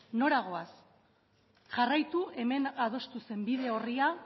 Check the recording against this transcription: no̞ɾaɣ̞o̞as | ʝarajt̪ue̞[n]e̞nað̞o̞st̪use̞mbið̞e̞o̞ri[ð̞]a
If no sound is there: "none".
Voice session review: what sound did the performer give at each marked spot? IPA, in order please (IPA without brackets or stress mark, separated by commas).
m, none